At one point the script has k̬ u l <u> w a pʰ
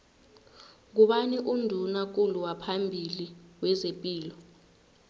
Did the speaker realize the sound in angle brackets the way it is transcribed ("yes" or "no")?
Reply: yes